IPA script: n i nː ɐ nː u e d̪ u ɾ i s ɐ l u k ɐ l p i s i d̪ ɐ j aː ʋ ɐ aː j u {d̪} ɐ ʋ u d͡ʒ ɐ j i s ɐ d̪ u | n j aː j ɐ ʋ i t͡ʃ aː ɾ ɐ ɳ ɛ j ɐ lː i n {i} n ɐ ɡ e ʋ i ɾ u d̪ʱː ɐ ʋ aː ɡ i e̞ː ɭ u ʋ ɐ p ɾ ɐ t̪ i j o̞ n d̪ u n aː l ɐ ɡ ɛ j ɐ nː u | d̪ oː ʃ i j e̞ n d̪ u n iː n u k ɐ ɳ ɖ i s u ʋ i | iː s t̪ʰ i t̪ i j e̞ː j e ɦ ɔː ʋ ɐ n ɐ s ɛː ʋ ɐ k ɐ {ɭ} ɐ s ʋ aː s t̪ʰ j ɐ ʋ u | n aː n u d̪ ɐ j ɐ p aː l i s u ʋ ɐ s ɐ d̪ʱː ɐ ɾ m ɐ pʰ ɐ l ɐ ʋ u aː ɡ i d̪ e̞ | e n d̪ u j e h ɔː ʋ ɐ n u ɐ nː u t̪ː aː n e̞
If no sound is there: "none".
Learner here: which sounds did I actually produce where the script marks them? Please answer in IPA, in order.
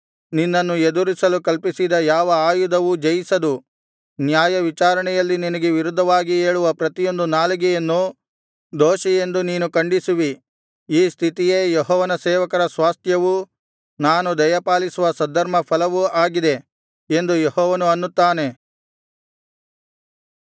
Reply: d̪, i, ɾ

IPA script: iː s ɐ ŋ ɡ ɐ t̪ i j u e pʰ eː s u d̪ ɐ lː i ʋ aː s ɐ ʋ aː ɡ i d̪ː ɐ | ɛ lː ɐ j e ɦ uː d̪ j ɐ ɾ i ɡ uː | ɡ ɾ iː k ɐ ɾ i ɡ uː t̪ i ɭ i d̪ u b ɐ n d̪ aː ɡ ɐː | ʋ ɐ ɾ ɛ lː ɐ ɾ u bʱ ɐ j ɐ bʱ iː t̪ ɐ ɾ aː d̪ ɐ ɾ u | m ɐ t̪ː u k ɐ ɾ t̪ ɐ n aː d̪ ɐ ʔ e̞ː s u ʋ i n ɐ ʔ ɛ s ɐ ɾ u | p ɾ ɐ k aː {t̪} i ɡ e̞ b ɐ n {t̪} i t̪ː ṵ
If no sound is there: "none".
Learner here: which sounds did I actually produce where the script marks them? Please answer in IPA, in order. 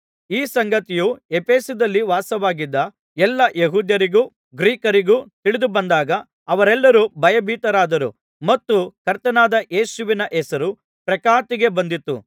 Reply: t̪, d̪

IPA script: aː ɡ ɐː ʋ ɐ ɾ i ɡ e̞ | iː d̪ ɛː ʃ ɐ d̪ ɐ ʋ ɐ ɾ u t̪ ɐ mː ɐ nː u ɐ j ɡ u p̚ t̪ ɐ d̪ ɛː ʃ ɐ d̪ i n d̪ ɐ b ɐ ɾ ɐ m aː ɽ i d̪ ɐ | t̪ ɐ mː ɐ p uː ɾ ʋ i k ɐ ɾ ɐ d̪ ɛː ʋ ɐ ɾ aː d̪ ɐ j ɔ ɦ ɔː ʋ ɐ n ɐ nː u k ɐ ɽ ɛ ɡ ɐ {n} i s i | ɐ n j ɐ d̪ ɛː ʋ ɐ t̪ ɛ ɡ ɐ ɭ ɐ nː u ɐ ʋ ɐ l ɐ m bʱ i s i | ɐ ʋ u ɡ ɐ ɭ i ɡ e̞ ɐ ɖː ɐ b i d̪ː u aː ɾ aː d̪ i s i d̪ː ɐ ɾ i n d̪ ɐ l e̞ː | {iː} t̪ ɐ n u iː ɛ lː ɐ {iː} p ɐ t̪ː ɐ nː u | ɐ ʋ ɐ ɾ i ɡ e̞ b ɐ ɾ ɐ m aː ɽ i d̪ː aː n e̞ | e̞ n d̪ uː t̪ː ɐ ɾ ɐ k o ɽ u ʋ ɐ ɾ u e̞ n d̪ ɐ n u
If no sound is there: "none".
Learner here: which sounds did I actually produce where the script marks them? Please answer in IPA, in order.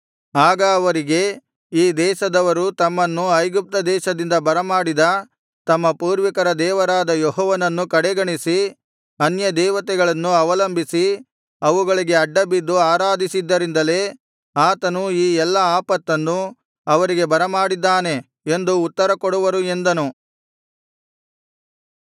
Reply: ɳ, aː, aː

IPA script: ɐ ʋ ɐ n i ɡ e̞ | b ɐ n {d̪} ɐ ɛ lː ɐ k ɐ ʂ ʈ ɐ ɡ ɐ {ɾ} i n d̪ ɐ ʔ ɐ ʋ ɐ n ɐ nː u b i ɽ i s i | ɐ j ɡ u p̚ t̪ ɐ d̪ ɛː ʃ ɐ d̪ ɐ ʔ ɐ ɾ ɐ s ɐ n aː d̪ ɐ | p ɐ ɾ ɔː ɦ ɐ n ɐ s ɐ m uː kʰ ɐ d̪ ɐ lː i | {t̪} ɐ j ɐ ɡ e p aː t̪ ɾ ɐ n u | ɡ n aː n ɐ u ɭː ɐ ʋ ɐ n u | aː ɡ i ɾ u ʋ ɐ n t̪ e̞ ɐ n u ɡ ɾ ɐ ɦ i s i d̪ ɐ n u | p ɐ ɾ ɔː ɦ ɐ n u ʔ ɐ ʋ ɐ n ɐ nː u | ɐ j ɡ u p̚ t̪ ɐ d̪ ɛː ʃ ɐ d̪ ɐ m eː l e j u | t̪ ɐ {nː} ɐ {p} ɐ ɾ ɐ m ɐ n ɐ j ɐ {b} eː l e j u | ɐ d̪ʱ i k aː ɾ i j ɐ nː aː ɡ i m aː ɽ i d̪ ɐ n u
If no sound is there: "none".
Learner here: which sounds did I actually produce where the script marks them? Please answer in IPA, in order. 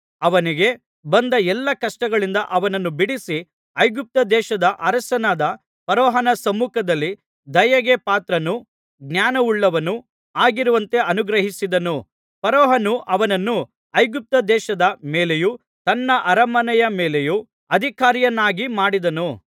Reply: d̪, ɭ, d̪, nː, ʔ, m

